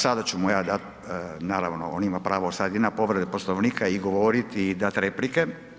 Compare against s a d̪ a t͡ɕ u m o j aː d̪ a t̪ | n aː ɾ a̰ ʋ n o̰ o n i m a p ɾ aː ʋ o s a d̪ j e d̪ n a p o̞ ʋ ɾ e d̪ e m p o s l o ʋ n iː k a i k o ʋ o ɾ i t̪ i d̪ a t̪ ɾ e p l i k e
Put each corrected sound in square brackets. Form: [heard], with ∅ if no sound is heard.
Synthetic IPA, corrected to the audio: s a d̪ a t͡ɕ u m [u] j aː d̪ a t̪ | n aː ɾ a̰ ʋ n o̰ o n i m a p ɾ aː ʋ o s a d̪ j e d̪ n a p o̞ ʋ ɾ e d̪ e [∅] p o s l o ʋ n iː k a i [ɡ] o ʋ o ɾ i t̪ i d̪ a t̪ ɾ e p l i k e

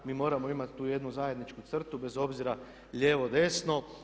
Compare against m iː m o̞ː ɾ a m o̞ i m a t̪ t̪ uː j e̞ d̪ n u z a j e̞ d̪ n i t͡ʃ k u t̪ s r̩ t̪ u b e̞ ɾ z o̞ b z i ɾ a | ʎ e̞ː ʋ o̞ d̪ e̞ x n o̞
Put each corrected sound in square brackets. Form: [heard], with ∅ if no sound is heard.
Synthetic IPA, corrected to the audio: m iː m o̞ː ɾ a m o̞ i m a t̪ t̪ uː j e̞ d̪ n u z a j e̞ d̪ n i t͡ʃ k u t̪ s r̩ t̪ u b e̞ [∅] z o̞ b z i ɾ a | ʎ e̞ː ʋ o̞ d̪ e̞ [s] n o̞

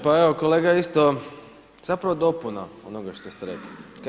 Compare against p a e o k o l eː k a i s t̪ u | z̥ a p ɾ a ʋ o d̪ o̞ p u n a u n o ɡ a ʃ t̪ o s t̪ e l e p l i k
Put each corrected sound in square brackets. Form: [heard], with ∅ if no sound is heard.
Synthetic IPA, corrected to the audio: p a e o k o l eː [ɡ] a i s t̪ [o] | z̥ a p ɾ a ʋ o d̪ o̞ p u n a [o] n o ɡ a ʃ t̪ o s t̪ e [ɾ] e [k] l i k

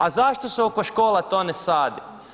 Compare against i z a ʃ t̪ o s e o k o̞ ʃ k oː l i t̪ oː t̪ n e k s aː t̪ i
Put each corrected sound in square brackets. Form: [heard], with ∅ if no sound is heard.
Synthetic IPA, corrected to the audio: [a] z a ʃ t̪ o s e o k o̞ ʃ k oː l [a] t̪ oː [∅] n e [∅] s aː [d̪] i

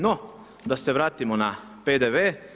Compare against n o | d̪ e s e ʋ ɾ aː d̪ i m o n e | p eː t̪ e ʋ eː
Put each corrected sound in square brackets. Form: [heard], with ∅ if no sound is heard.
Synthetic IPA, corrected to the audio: n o | d̪ [a] s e ʋ ɾ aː [t̪] i m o n [a] | p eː [d̪] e ʋ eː

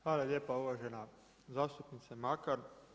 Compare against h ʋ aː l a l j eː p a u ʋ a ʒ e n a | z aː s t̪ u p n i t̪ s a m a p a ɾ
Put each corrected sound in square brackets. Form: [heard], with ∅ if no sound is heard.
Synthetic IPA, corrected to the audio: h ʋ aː l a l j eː p a u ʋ a ʒ e n a | z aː s t̪ u p n i t̪ s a m a [k] a ɾ

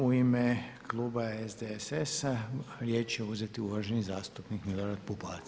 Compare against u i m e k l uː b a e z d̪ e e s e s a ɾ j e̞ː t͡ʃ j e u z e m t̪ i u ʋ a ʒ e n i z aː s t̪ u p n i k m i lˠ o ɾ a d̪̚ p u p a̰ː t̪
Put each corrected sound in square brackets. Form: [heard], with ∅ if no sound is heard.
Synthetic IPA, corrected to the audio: u i m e k l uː b a e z d̪ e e s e s a ɾ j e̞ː t͡ʃ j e u z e [∅] t̪ i u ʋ a ʒ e n i z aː s t̪ u p n i k m i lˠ o ɾ a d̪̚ p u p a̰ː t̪

